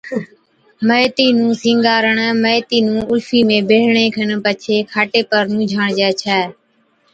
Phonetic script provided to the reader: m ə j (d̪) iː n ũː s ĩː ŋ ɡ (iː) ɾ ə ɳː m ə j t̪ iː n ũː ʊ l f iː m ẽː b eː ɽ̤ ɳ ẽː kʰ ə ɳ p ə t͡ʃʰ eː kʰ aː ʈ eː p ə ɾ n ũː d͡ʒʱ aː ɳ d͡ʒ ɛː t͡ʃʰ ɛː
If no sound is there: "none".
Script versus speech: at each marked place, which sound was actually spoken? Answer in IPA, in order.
t̪, aː

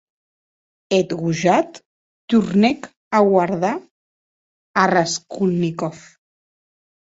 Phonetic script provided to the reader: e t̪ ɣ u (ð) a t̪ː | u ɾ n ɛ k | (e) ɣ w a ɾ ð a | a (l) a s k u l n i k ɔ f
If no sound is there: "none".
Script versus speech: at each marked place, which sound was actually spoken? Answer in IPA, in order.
ʒ, a, r

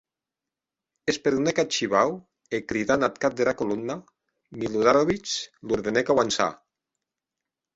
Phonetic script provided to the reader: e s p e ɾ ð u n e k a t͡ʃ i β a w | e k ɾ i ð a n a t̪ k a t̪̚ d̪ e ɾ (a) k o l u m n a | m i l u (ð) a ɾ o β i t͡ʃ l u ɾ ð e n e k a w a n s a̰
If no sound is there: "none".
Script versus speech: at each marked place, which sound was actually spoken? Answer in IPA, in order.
a, ð

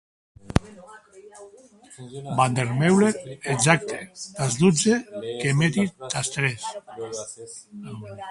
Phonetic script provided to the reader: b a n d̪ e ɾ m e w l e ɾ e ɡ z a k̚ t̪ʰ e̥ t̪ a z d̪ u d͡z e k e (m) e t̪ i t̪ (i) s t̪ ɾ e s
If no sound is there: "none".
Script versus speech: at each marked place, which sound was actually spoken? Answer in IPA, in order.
m, a

